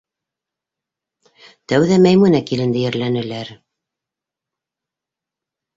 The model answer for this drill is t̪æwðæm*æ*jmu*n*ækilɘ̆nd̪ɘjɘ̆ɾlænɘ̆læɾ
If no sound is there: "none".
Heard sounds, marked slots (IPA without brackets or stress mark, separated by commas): æ, n